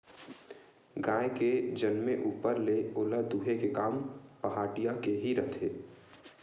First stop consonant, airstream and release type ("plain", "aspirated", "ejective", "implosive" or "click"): plain